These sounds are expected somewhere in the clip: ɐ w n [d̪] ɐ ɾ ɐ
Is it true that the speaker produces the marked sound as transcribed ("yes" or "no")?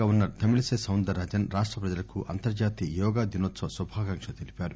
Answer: yes